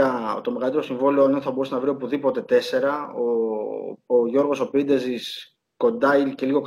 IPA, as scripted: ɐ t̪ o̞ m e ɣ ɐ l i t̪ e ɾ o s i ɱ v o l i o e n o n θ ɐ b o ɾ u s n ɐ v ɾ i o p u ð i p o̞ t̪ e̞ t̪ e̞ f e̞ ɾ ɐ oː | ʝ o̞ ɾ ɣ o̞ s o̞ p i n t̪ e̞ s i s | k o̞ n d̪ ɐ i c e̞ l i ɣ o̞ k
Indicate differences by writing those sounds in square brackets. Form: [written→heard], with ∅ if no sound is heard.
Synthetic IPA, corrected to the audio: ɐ t̪ o̞ m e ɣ ɐ l i t̪ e ɾ o s i ɱ v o l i o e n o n θ ɐ b o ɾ u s n ɐ v ɾ i o p u ð i p o̞ t̪ e̞ t̪ e̞ [f→s] e̞ ɾ ɐ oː | ʝ o̞ ɾ ɣ o̞ s o̞ p i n [t̪→d̪] e̞ [s→z] i s | k o̞ n d̪ ɐ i c e̞ l i ɣ o̞ k